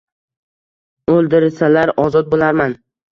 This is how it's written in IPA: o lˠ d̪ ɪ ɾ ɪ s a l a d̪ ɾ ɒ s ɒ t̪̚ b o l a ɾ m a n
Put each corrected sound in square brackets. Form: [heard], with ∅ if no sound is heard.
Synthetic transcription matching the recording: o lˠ d̪ ɪ ɾ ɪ s a l a [∅] ɾ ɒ [z] ɒ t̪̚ b o l a ɾ m a n

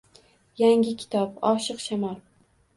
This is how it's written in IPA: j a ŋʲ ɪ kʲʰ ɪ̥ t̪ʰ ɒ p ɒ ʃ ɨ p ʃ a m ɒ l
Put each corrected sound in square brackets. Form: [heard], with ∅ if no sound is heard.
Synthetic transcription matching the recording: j a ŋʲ ɪ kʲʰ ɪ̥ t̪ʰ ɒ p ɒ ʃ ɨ [q] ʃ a m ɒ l

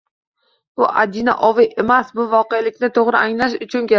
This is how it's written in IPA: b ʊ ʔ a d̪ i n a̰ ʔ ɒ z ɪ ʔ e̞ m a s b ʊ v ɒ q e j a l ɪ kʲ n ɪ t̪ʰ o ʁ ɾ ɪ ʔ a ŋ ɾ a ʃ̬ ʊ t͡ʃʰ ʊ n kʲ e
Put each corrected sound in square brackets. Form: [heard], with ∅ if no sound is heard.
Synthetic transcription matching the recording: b ʊ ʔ a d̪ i n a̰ ʔ ɒ [v] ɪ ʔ e̞ m a s b ʊ v ɒ q e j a l ɪ kʲ n ɪ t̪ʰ o ʁ ɾ ɪ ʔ a ŋ [l] a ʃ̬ ʊ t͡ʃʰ ʊ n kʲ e

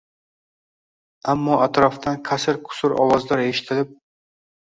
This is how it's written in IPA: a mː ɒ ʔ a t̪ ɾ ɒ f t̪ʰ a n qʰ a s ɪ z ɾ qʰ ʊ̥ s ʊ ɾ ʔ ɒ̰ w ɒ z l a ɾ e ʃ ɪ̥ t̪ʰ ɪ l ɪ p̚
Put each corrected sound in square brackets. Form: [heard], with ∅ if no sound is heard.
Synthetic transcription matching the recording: a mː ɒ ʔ a t̪ ɾ ɒ f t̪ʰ a n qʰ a s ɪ [∅] ɾ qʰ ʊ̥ s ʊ ɾ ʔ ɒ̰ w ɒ z l a ɾ e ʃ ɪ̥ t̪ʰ ɪ l ɪ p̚

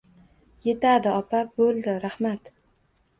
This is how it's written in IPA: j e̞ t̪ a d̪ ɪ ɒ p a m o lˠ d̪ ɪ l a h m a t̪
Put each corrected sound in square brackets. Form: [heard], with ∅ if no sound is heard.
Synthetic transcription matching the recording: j e̞ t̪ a d̪ ɪ ɒ p a [b] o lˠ d̪ ɪ [ɾ] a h m a t̪

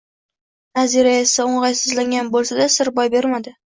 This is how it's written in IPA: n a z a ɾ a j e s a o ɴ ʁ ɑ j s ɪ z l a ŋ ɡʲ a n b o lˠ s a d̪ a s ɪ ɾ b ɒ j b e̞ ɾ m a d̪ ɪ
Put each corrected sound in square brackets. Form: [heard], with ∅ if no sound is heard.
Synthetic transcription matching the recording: n a z [i] ɾ a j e s a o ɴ ʁ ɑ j s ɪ z l a ŋ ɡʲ a n b o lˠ s a d̪ a s ɪ ɾ b ɒ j b e̞ ɾ m a d̪ ɪ

